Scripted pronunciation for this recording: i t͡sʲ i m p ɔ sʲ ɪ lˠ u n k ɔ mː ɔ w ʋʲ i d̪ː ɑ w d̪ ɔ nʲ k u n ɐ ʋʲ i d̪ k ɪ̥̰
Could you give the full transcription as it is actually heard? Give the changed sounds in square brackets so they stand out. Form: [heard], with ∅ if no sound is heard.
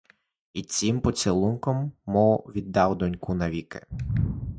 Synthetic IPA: i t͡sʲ i m p ɔ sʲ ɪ lˠ u n k ɔ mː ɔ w ʋʲ i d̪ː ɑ w d̪ ɔ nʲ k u n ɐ ʋʲ i [∅] k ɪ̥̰